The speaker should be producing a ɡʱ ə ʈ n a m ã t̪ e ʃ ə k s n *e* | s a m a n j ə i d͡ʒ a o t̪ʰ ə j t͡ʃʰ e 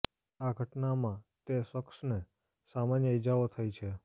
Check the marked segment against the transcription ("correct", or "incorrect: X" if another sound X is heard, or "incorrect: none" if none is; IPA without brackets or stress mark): correct